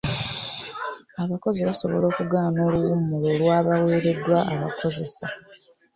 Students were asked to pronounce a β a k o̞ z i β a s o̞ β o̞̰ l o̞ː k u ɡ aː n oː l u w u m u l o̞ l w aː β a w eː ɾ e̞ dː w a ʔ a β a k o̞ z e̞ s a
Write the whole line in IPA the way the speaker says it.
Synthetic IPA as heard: a β a k o̞ z i β a s o̞ β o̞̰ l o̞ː k u ɡ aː n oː l u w u m u l o̞ l w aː β a w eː ɾ e̞ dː w a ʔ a β a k o̞ z e̞ s a